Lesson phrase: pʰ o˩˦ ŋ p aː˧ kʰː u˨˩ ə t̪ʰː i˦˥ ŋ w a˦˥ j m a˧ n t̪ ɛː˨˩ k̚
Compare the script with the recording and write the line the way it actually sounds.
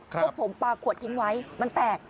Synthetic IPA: pʰ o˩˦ m p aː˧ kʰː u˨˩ ə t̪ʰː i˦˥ ŋ w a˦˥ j m a˧ n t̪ ɛː˨˩ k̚